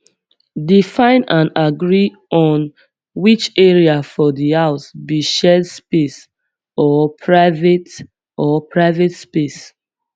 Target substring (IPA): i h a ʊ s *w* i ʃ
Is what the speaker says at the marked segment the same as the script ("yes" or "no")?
no